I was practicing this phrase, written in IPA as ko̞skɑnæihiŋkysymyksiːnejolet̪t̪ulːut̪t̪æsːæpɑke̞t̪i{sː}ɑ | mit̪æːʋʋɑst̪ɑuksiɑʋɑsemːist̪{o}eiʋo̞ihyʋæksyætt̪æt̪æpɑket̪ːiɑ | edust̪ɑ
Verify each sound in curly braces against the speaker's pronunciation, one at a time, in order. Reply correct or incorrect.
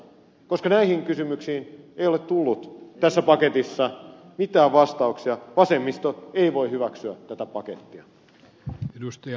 correct, correct

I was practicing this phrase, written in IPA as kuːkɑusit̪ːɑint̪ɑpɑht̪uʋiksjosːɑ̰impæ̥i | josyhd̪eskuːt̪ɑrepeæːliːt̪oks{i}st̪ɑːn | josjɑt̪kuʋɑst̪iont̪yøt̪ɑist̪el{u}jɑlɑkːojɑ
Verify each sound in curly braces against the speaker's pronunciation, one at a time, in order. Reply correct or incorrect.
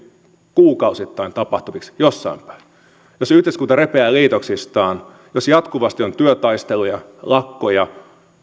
correct, correct

